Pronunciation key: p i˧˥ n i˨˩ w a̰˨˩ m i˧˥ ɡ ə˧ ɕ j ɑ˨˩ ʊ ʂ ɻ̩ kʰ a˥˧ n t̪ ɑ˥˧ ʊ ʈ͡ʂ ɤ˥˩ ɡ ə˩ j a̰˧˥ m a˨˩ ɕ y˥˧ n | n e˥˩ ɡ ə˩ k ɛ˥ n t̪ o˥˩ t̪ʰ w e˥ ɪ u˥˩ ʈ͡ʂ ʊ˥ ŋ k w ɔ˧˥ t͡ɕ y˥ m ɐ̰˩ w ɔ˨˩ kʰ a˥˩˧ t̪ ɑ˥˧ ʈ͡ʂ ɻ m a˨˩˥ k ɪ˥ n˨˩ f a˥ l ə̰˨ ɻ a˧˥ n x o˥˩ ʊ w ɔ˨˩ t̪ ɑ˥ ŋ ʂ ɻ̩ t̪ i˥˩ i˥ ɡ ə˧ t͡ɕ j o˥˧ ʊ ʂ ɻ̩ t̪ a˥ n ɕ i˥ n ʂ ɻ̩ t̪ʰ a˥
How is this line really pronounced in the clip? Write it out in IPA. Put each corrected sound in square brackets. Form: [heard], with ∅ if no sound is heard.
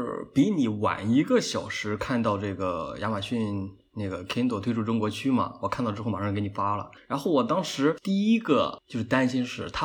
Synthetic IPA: p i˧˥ n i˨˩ w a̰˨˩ [n] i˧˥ ɡ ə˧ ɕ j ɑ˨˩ ʊ ʂ ɻ̩ kʰ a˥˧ n t̪ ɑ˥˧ ʊ ʈ͡ʂ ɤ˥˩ ɡ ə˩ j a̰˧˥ m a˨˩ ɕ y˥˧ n | n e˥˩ ɡ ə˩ [kʰ] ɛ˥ n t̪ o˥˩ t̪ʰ w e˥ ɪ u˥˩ ʈ͡ʂ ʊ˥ ŋ k w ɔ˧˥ [t͡ɕʰ] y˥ m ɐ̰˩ w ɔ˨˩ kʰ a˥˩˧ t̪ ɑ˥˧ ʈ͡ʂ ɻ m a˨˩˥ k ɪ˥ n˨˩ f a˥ l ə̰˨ ɻ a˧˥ n x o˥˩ ʊ w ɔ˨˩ t̪ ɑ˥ ŋ ʂ ɻ̩ t̪ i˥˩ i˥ ɡ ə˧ t͡ɕ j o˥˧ ʊ ʂ ɻ̩ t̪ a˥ n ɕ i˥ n ʂ ɻ̩ t̪ʰ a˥